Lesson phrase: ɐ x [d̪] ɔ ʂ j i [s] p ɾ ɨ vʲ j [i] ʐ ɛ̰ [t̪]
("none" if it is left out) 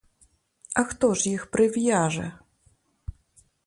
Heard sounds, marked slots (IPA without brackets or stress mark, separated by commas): t̪, x, a, none